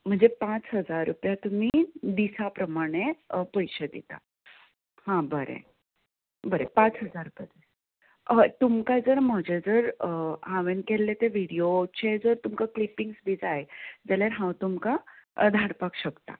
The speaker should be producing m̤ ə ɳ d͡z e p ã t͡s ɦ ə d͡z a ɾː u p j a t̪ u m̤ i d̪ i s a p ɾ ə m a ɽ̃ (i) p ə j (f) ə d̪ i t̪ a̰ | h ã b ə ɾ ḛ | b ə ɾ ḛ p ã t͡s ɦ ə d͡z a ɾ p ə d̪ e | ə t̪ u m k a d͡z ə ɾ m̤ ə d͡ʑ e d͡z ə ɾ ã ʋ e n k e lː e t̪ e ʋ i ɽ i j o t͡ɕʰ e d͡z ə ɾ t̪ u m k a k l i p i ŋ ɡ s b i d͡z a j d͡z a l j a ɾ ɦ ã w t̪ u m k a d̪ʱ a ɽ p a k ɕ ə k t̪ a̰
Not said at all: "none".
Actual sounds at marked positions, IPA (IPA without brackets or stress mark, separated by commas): e, ɕ